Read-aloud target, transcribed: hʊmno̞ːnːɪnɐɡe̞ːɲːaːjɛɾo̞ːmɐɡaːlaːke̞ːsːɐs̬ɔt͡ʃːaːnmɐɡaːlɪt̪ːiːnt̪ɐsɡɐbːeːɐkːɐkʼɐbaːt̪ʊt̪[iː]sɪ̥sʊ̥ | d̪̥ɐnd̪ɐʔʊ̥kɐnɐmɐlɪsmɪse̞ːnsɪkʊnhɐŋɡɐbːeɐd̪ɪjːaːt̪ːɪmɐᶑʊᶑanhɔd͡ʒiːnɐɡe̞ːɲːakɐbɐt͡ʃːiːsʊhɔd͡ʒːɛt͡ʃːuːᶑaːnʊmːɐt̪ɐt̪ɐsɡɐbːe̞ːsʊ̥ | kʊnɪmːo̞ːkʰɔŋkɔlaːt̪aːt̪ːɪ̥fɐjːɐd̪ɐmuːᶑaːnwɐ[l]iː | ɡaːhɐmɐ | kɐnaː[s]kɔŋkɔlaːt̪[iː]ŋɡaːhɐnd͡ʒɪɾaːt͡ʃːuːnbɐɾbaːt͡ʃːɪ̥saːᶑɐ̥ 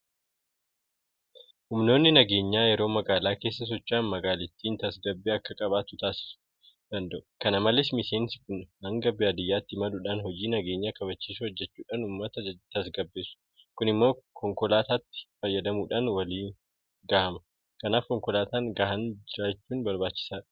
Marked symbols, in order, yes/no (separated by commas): no, yes, no, no